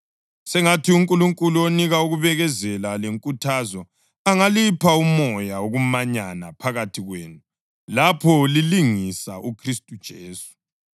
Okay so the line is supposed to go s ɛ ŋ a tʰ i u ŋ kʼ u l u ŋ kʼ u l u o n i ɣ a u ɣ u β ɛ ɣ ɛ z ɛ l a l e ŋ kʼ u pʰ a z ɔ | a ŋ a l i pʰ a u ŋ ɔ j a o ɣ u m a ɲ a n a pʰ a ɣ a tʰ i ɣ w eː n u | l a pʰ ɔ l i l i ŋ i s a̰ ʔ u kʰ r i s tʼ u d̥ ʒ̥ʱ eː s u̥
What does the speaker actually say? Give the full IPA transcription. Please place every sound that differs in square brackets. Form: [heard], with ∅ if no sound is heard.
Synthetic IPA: s ɛ ŋ a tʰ i u ŋ kʼ u l u ŋ kʼ u l u o n i ɣ a u ɣ u β ɛ ɣ ɛ z ɛ l a l e ŋ kʼ u [tʰ] a z ɔ | a ŋ a l i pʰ a u [m] ɔ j a o ɣ u m a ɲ a n a pʰ a ɣ a tʰ i ɣ w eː n u | l a pʰ ɔ l i l i ŋ i s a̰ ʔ u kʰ r i s tʼ u d̥ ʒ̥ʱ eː s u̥